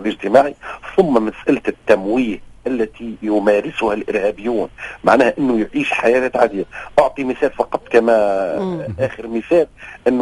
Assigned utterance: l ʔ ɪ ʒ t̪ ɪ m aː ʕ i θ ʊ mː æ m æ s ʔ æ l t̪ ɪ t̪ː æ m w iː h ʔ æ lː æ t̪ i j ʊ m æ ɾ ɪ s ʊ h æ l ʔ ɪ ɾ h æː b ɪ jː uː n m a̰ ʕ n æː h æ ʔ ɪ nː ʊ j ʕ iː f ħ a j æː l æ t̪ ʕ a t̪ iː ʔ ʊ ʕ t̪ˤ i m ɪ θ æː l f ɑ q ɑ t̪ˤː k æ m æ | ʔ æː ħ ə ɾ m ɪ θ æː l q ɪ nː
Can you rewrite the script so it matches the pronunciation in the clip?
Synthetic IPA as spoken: l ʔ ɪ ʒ t̪ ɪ m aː ʕ i θ ʊ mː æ m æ s ʔ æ l t̪ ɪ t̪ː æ m w iː h ʔ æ lː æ t̪ i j ʊ m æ ɾ ɪ s ʊ h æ l ʔ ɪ ɾ h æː b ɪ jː uː n m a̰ ʕ n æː h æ ʔ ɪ nː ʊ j ʕ iː ʃ ħ a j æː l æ t̪ ʕ a d̪ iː ʔ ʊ ʕ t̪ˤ i m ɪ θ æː l f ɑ q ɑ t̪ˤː k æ m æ | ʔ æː x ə ɾ m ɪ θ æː l ʔ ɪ nː